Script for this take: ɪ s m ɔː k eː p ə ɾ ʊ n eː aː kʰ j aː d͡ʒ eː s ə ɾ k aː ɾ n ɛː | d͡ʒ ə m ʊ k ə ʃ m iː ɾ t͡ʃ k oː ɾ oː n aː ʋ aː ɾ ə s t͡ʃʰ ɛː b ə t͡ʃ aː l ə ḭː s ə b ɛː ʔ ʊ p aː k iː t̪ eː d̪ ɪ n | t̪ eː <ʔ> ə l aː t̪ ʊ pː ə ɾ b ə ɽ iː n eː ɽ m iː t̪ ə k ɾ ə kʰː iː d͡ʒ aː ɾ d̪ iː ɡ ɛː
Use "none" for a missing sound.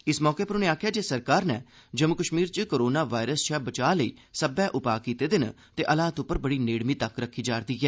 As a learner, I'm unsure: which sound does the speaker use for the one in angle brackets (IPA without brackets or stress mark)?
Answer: ʔ